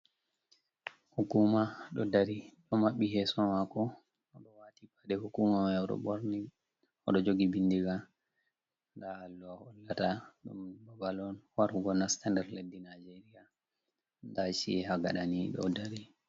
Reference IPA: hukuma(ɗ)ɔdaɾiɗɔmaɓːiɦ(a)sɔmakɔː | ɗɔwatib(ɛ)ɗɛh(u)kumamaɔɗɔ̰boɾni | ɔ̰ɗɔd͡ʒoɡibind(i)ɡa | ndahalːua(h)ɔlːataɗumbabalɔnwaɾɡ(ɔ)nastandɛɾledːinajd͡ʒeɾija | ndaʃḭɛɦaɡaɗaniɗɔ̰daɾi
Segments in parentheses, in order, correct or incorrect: correct, incorrect: ɛ, incorrect: a, correct, correct, correct, correct

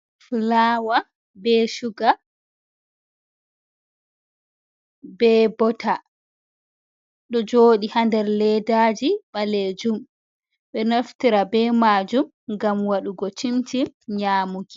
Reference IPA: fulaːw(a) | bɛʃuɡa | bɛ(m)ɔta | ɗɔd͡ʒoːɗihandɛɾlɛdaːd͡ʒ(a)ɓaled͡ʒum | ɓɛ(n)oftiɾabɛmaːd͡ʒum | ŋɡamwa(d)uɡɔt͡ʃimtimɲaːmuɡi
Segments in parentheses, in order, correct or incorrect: correct, incorrect: b, incorrect: i, correct, incorrect: ɗ

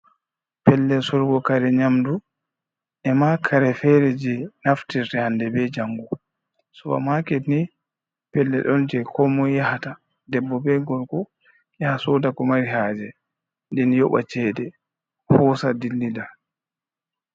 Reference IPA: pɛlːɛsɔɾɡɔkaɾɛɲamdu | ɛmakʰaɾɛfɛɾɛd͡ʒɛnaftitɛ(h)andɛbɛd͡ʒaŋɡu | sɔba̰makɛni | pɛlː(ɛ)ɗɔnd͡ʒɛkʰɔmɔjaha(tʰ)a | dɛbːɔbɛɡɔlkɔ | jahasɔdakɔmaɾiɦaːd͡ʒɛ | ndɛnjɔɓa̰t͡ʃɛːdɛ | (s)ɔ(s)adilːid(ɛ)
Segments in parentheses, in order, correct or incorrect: correct, correct, incorrect: t, incorrect: h, correct, incorrect: a

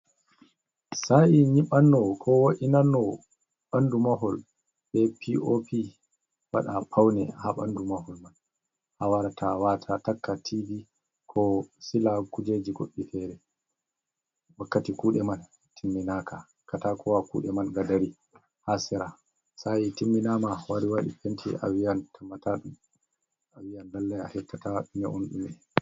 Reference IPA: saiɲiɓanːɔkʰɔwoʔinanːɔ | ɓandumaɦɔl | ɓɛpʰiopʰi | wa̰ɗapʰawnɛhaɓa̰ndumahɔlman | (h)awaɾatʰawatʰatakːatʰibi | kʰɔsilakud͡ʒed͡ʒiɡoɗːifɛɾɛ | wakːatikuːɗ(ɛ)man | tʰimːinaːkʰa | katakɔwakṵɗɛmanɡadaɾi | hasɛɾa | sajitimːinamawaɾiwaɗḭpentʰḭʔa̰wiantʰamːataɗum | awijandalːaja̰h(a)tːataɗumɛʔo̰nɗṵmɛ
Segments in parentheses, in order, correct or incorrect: correct, correct, incorrect: ɛ

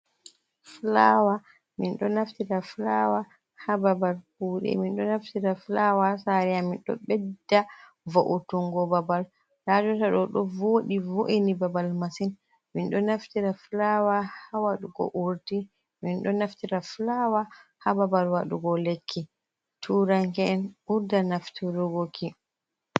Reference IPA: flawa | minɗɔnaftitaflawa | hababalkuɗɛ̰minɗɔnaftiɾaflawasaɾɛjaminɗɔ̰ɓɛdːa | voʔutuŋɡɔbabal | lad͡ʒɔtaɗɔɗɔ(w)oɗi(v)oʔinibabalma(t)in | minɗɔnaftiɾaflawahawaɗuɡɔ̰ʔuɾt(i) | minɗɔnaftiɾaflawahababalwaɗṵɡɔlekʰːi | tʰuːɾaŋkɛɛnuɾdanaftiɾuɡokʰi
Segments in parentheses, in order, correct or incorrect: incorrect: v, correct, incorrect: s, correct

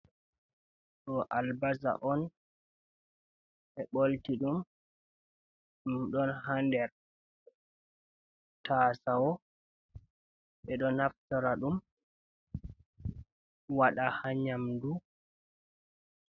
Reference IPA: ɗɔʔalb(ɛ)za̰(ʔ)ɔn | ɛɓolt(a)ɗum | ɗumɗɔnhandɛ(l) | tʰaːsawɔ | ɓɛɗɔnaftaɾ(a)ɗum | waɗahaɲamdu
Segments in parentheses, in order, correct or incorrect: incorrect: a, correct, incorrect: i, incorrect: ɾ, correct

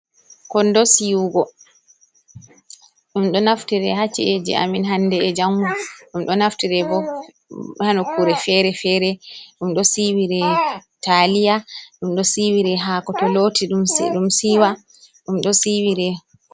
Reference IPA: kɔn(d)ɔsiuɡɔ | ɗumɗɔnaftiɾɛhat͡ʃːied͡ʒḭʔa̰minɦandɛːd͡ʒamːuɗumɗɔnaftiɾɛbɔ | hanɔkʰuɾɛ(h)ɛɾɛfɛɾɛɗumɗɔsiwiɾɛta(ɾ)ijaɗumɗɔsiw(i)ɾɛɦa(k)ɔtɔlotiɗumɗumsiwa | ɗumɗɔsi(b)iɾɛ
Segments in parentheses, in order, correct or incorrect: correct, incorrect: f, incorrect: l, correct, correct, incorrect: w

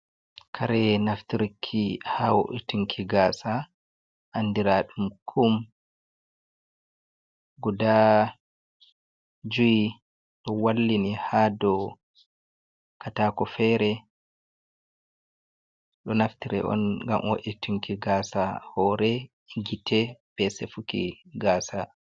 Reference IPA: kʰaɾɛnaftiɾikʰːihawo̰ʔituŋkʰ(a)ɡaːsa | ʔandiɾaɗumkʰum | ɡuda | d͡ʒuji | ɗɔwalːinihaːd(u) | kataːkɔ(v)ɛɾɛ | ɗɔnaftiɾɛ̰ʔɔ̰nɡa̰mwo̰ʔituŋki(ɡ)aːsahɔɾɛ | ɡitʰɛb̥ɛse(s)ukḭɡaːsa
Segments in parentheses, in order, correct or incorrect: incorrect: i, incorrect: ɔ, incorrect: f, correct, incorrect: f

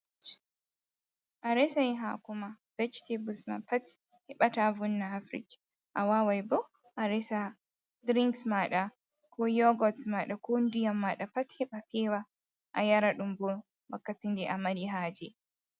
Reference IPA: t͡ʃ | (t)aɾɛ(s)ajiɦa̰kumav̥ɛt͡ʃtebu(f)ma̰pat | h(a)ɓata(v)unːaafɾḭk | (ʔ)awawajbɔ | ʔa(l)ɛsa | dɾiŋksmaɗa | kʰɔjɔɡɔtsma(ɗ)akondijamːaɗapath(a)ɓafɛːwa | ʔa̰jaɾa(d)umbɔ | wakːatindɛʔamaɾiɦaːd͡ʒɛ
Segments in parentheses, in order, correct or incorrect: incorrect: ʔ, correct, incorrect: s, incorrect: ɛ, correct, correct, incorrect: ɾ, correct, incorrect: ɛ, incorrect: ɗ

